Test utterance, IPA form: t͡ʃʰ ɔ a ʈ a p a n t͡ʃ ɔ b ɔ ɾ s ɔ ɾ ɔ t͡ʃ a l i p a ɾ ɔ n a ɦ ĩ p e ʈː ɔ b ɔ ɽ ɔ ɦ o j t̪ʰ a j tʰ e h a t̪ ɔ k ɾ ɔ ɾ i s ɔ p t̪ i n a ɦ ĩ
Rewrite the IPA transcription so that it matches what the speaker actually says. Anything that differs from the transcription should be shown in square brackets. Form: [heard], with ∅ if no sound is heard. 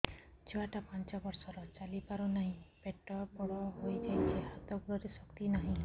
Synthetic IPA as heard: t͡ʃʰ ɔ a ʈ a p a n t͡ʃ ɔ b ɔ ɾ s ɔ ɾ ɔ t͡ʃ a l i p a ɾ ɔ n a ɦ ĩ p e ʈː ɔ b ɔ ɽ ɔ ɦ o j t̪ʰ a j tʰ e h a t̪ ɔ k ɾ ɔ ɾ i s ɔ [k] t̪ i n a ɦ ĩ